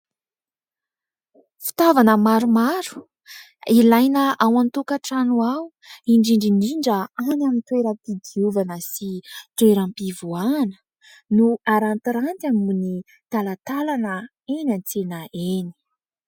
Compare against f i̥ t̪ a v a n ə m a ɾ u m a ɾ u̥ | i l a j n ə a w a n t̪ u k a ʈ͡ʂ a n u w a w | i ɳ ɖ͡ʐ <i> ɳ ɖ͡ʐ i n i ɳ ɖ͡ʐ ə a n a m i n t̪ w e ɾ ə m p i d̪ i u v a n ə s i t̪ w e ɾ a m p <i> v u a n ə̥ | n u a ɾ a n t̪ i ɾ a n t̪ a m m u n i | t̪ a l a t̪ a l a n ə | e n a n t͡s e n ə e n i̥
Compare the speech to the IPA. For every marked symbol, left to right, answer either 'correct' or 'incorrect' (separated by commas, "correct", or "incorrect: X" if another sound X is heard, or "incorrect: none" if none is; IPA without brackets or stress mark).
correct, correct